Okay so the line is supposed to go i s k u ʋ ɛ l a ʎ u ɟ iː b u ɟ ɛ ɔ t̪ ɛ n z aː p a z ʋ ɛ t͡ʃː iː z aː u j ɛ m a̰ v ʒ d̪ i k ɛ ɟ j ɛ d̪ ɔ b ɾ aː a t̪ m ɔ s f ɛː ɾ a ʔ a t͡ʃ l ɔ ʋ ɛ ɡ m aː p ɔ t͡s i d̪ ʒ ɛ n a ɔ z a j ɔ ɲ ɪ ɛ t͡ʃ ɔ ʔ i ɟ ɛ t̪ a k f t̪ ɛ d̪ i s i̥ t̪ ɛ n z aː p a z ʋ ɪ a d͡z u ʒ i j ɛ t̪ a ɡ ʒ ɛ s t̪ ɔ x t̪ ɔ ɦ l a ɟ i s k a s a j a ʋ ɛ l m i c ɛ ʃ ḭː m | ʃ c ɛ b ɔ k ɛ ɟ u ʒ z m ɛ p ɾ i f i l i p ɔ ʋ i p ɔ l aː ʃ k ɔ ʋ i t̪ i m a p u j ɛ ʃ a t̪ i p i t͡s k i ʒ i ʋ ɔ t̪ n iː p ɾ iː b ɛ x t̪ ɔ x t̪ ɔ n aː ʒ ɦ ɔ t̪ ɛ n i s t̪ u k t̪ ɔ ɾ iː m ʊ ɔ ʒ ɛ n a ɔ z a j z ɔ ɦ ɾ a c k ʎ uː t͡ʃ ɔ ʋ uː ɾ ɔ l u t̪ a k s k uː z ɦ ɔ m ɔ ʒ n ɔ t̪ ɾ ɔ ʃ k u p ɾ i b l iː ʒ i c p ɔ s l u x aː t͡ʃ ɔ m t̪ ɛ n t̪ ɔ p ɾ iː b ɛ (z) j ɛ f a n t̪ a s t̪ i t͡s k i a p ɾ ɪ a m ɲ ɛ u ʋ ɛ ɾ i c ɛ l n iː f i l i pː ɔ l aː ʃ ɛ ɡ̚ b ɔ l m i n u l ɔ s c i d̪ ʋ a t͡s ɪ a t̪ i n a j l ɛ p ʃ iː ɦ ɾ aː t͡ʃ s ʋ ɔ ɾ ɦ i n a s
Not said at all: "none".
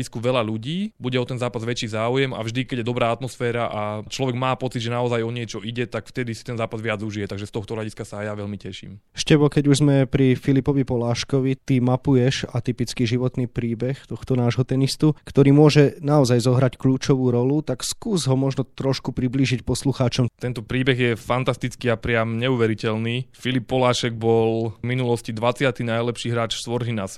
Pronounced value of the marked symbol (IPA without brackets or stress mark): ɣ